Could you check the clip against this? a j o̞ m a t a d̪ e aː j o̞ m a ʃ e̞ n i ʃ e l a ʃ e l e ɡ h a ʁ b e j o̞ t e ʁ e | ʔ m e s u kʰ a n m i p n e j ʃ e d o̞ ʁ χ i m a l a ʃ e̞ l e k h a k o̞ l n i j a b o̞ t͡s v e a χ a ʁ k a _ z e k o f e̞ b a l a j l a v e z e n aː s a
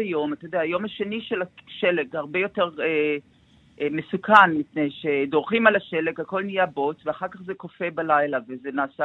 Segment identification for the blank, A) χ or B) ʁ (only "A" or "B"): A